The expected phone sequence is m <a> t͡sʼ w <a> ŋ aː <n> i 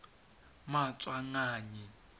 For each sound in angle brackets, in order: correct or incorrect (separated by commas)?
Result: correct, correct, incorrect